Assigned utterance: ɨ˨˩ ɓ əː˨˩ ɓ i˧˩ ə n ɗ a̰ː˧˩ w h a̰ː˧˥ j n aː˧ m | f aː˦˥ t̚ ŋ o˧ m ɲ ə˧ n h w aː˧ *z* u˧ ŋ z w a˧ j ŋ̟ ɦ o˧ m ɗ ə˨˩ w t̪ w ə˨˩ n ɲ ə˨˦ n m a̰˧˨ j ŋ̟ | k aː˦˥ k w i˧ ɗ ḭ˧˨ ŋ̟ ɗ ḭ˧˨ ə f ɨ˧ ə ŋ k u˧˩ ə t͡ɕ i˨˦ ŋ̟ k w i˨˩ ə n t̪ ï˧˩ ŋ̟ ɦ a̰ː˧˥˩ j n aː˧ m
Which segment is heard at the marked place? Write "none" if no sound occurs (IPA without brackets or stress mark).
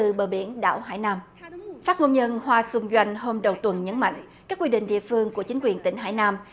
s